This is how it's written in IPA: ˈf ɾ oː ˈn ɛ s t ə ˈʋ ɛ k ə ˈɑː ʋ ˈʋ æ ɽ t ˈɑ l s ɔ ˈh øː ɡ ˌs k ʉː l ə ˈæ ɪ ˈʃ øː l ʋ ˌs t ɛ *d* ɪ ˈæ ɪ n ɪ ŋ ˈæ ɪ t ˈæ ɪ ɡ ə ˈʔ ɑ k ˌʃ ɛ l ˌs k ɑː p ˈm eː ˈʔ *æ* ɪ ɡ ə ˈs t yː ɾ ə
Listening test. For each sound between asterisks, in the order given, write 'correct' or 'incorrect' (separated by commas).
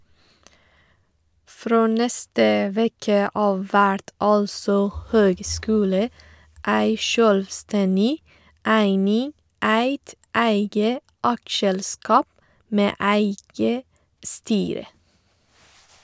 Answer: incorrect, correct